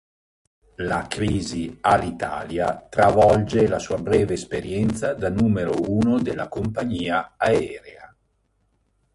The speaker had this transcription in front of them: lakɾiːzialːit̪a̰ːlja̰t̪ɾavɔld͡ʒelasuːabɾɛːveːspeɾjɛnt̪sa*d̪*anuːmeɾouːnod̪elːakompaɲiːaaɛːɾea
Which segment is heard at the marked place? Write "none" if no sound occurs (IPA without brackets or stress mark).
d̪